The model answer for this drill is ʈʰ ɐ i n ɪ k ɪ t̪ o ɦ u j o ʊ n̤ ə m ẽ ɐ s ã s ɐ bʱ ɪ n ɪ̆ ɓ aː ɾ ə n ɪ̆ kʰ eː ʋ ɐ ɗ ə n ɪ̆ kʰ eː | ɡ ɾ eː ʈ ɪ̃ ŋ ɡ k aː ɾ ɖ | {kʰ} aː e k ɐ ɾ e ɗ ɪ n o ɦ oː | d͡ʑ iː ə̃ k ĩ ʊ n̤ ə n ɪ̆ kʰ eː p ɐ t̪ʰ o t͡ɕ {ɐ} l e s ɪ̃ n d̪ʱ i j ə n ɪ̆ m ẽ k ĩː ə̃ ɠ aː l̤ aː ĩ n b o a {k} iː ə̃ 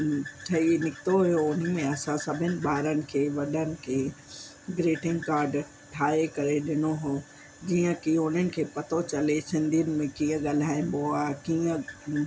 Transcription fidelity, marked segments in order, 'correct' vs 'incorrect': incorrect, correct, correct

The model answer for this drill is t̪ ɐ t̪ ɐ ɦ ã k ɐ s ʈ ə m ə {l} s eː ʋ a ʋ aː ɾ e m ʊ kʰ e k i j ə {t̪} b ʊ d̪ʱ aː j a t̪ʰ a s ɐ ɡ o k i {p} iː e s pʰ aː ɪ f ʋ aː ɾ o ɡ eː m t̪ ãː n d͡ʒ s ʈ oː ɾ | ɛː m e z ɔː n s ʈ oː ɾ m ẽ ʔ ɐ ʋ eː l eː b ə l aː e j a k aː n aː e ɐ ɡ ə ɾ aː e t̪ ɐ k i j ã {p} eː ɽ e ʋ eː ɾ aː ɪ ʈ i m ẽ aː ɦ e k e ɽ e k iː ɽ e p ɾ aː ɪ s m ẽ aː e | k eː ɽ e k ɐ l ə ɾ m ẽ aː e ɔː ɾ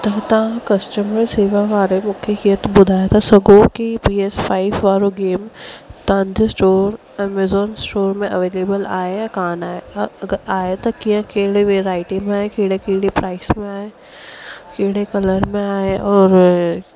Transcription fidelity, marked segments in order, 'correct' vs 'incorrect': incorrect, correct, correct, incorrect

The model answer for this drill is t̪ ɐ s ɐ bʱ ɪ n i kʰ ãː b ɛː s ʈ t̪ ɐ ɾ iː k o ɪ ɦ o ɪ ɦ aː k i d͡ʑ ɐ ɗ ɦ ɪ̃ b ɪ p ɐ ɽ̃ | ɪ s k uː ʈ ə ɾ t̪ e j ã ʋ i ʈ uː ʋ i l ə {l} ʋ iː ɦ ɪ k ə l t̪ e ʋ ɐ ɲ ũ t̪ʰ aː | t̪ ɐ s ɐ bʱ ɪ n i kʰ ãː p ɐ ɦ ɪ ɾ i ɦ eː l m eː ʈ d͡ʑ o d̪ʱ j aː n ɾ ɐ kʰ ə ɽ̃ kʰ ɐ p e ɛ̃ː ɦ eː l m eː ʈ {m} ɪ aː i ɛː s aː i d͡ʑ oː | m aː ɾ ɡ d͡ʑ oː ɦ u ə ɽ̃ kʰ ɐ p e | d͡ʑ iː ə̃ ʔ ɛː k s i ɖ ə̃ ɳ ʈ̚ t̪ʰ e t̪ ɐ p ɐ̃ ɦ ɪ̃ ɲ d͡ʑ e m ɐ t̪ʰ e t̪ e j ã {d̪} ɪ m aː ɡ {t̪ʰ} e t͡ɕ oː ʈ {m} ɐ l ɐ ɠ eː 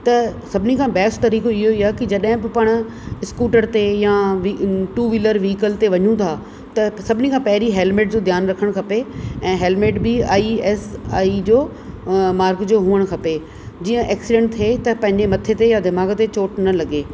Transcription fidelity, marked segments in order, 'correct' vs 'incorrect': incorrect, incorrect, correct, incorrect, incorrect

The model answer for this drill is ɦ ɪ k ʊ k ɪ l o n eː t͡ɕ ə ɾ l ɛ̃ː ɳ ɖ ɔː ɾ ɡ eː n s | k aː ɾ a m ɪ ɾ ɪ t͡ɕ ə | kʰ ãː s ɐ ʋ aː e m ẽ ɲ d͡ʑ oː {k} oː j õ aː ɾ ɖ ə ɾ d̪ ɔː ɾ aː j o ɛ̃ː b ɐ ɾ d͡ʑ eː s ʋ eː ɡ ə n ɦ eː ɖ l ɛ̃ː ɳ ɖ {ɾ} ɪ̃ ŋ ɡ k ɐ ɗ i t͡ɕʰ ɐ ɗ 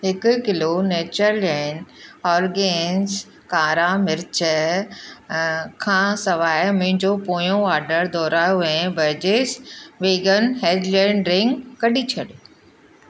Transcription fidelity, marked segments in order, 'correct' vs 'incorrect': incorrect, correct

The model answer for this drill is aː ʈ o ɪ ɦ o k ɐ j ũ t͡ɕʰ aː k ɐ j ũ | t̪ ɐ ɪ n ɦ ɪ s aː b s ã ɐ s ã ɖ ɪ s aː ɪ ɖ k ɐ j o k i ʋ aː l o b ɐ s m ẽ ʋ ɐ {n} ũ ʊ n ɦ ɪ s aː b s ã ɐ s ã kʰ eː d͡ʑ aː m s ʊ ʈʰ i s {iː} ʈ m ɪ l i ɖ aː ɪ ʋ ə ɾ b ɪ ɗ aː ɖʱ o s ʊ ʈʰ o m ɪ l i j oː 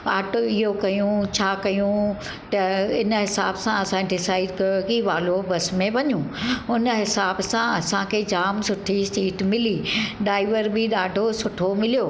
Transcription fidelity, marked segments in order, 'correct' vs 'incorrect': incorrect, correct

